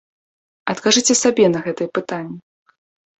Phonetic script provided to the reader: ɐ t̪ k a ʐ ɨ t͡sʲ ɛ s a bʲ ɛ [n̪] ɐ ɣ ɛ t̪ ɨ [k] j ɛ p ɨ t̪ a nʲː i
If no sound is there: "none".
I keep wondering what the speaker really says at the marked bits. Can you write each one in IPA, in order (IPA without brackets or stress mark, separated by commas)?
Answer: n̪, none